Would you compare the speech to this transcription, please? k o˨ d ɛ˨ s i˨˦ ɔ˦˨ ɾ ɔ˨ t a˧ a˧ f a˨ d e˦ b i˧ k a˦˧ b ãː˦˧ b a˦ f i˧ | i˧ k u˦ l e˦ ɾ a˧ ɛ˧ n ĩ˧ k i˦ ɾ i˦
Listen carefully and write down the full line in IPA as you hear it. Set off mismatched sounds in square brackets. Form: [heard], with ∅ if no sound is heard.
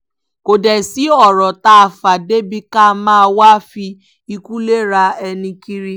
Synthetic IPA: k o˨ d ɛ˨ s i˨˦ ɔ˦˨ ɾ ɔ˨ t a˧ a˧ f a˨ d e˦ b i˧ k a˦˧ [m] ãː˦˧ [w] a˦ f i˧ | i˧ k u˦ l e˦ ɾ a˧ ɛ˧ n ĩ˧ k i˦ ɾ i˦